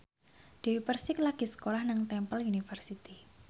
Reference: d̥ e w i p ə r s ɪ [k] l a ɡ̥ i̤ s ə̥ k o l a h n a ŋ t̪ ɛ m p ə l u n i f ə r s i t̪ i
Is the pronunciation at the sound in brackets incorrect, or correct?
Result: correct